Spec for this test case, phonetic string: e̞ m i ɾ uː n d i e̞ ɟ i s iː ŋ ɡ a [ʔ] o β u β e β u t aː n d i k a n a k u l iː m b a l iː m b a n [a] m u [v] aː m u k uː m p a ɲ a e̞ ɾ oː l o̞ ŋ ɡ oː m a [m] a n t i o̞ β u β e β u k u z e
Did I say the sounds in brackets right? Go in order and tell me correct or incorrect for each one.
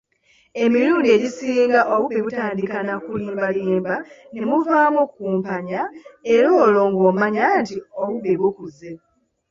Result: correct, incorrect: e, correct, incorrect: ɲ

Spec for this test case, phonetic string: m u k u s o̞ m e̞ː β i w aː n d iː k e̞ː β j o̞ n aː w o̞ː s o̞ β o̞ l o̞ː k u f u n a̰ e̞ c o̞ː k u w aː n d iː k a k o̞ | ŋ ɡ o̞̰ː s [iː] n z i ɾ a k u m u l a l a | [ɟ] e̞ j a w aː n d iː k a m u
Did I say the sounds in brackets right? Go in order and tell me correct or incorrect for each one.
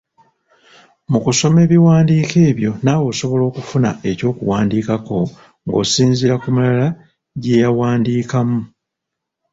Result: correct, correct

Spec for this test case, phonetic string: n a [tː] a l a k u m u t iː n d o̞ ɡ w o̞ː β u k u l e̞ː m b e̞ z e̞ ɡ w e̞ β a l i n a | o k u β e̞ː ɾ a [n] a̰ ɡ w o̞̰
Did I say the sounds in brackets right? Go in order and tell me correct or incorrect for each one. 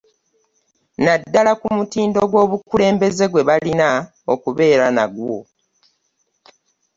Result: incorrect: dː, correct

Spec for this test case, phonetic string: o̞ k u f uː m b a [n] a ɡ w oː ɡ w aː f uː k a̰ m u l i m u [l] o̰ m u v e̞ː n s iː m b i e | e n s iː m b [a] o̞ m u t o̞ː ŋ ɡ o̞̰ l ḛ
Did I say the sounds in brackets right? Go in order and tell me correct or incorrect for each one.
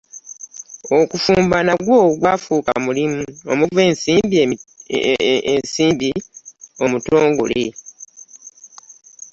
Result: correct, incorrect: none, incorrect: i

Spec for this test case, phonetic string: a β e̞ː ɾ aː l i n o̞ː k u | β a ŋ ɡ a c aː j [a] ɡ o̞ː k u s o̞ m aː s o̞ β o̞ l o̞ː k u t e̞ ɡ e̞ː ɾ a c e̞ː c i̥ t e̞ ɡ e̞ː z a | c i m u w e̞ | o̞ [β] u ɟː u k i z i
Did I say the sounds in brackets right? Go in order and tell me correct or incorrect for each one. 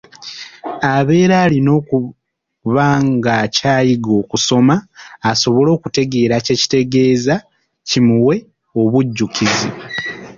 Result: incorrect: i, correct

